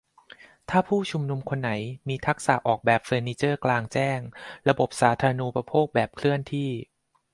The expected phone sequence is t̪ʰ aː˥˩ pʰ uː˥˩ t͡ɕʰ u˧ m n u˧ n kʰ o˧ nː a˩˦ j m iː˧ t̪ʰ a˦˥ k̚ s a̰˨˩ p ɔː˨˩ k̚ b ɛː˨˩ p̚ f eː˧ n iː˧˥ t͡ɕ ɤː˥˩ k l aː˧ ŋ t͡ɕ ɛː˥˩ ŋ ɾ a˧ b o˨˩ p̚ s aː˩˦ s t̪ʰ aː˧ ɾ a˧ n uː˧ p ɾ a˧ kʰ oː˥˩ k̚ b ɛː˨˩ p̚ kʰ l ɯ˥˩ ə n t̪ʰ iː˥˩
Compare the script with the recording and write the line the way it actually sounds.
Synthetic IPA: t̪ʰ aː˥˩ pʰ uː˥˩ t͡ɕʰ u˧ m n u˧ m kʰ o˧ nː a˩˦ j m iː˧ t̪ʰ a˦˥ k̚ s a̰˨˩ ʔ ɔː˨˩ k̚ b ɛː˨˩ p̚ f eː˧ n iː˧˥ t͡ɕ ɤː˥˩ k l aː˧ ŋ t͡ɕ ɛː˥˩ ŋ ɾ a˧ b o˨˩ p̚ s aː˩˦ t̪ʰ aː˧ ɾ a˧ n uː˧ p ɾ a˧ pʰ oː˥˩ k̚ b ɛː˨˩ p̚ kʰ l ɯ˥˩ ə n t̪ʰ iː˥˩

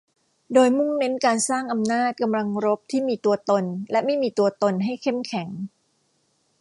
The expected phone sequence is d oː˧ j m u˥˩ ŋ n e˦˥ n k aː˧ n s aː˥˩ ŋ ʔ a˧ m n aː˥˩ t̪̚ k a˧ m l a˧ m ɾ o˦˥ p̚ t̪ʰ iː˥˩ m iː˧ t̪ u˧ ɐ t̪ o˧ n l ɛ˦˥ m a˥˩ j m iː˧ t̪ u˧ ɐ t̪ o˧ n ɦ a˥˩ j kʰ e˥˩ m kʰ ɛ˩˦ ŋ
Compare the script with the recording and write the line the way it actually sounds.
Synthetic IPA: d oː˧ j m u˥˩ ŋ n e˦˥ n k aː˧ n s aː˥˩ ŋ ʔ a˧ m n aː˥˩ t̪̚ k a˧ m l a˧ ŋ ɾ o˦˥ p̚ t̪ʰ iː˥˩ m iː˧ t̪ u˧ ɐ t̪ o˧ n l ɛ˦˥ m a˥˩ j m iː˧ t̪ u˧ ɐ t̪ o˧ n ɦ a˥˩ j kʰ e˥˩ m kʰ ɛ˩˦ ŋ

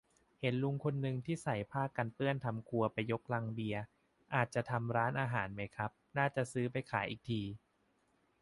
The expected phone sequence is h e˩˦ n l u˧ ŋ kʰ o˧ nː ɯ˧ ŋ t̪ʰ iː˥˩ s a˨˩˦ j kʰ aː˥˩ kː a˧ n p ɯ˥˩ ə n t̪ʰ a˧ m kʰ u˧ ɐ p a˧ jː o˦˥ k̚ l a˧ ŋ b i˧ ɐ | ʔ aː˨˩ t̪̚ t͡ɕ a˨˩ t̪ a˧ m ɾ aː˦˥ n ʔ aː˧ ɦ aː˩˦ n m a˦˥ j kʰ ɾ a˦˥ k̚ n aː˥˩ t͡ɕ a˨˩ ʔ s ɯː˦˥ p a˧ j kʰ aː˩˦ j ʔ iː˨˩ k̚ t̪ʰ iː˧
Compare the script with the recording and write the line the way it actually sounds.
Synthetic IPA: h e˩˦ n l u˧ ŋ kʰ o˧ nː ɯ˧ ŋ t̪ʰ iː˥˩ s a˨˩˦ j pʰ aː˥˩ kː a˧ n p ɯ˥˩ ə n t̪ʰ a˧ m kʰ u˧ ɐ p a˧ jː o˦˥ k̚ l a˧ ŋ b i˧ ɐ | ʔ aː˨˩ t̪̚ t͡ɕ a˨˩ t̪ʰ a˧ m ɾ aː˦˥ n ʔ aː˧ ɦ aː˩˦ n m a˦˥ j kʰ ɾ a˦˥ p̚ n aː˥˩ t͡ɕ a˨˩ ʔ s ɯː˦˥ p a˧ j kʰ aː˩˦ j ʔ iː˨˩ k̚ t̪ʰ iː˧

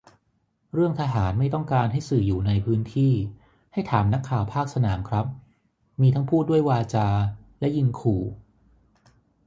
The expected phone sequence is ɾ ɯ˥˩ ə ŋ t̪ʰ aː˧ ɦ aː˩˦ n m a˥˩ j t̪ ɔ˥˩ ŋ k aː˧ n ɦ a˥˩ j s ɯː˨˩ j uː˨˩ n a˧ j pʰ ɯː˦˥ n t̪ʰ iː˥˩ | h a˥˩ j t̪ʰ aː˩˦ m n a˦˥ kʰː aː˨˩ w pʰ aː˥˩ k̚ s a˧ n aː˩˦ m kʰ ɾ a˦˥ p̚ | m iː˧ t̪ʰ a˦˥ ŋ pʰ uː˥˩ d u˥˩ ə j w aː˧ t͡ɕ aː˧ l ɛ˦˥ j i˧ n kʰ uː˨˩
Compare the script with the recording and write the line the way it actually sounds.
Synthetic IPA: ɾ ɯ˥˩ ə ŋ t̪ʰ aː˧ ɦ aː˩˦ n m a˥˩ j t̪ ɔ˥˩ ŋ k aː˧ n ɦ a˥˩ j s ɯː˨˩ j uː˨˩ n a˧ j pʰ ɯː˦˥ n t̪ʰ iː˥˩ | h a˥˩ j t̪ʰ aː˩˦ m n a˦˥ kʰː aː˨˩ w pʰ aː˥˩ k̚ s a˧ n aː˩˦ m kʰ ɾ a˦˥ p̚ | m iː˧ t̪ʰ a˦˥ ŋ pʰ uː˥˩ d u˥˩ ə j w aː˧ t͡ɕ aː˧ l ɛ˦˥ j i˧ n kʰ uː˨˩

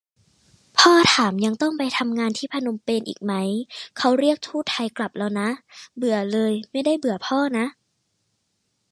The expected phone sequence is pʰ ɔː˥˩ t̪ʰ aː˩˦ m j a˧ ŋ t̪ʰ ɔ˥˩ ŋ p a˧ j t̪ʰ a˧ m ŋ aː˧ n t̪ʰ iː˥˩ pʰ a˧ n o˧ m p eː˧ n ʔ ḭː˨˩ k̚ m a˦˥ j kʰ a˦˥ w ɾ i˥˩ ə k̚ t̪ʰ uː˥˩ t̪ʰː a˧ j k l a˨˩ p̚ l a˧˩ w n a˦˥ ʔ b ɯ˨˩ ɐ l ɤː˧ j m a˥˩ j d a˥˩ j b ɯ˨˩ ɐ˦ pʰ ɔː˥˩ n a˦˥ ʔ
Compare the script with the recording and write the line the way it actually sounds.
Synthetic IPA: pʰ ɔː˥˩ t̪ʰ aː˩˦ m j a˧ ŋ t̪ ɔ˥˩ ŋ p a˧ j t̪ʰ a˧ m ŋ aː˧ n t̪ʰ iː˥˩ pʰ a˧ n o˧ m p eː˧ n ʔ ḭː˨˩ k̚ m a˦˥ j kʰ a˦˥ w ɾ i˥˩ ə k̚ t̪ʰ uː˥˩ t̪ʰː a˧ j k l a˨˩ p̚ l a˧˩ w n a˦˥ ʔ b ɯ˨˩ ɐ l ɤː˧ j m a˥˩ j d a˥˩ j b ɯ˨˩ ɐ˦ pʰ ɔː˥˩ n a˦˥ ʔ

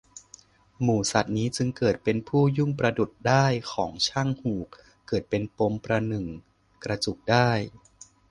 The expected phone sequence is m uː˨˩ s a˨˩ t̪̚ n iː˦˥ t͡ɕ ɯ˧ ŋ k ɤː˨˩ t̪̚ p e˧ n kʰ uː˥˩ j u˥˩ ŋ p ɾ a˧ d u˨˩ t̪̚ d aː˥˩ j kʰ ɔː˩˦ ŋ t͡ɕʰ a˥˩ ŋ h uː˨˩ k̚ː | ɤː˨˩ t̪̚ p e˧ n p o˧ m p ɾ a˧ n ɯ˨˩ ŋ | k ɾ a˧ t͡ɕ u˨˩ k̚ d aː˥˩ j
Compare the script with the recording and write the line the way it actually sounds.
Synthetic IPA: m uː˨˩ s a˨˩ t̪̚ n iː˦˥ t͡ɕ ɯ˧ ŋ k ɤː˨˩ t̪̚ p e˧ n pʰ uː˥˩ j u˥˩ ŋ p ɾ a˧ d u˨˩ t̪̚ d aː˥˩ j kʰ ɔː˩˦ ŋ t͡ɕʰ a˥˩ ŋ h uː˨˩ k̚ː | ɤː˨˩ t̪̚ p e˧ n p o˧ m p ɾ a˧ n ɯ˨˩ ŋ | k ɾ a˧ t͡ɕ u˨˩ k̚ d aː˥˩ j

